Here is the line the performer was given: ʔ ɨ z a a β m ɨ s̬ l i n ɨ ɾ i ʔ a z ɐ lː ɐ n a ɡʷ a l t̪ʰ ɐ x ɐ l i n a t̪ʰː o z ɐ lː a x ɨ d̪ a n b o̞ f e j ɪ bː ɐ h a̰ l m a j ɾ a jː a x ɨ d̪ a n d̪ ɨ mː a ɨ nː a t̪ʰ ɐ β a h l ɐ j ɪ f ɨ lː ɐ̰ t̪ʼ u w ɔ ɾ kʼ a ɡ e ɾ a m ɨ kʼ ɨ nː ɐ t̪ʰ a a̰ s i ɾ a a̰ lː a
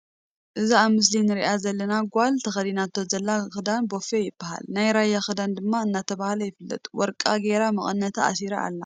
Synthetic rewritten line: ʔ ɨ z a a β m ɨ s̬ l i n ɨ ɾ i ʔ a z ɐ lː ɐ n a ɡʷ a l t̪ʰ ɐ x ɐ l i n a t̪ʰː o z ɐ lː a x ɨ d̪ a n b o̞ f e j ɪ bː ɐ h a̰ l n a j ɾ a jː a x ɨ d̪ a n d̪ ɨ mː a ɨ nː a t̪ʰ ɐ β a h l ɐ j ɪ f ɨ lː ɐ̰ t̪ʼ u w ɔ ɾ kʼ a ɡ e ɾ a m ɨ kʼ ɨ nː ɐ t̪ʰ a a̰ s i ɾ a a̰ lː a